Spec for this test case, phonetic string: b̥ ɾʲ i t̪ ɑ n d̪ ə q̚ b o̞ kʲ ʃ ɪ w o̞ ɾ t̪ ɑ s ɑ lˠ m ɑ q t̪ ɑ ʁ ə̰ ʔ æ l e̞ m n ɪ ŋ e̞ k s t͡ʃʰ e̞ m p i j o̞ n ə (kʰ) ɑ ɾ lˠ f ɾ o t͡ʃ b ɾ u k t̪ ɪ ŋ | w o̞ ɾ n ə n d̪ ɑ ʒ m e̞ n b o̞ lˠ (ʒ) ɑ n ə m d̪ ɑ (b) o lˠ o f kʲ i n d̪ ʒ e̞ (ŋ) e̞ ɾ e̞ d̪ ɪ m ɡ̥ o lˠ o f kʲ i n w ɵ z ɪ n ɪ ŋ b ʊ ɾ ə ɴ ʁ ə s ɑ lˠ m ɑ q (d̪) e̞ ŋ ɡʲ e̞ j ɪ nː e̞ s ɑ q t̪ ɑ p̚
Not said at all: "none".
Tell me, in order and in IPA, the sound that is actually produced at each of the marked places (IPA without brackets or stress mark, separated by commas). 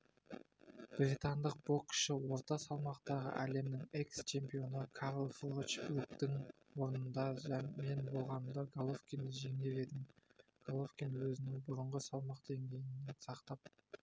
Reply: kʰ, ʁ, ɡ, ŋ, d̪